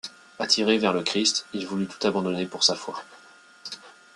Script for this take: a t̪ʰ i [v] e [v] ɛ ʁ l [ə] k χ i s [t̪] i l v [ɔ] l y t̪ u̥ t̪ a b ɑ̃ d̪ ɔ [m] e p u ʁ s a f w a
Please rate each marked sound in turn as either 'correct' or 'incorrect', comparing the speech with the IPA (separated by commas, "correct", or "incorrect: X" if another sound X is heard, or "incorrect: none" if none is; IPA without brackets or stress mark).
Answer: incorrect: ʁ, correct, correct, correct, incorrect: u, incorrect: n